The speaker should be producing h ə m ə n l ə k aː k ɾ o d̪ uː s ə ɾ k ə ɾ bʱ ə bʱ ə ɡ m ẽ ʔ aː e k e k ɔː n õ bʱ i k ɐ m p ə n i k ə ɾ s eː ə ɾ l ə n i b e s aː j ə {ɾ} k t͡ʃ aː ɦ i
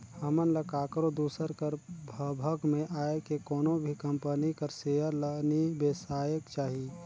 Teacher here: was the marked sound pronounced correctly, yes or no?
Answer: no